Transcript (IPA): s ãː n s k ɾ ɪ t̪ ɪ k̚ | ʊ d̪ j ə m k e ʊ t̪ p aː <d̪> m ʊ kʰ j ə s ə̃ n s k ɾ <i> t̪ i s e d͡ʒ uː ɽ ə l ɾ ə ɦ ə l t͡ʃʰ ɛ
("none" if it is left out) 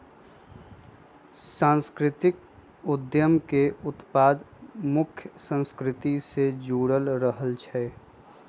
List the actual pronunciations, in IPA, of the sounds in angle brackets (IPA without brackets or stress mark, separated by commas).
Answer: d̪, ɪ